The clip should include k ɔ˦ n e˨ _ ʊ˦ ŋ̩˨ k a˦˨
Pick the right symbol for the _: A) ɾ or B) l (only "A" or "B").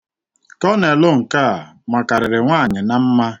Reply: B